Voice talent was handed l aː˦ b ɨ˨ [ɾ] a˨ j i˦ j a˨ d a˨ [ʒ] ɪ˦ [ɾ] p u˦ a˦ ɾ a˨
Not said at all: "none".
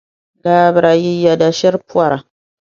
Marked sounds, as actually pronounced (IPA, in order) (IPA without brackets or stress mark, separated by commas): ɾ, ʃ, ɾ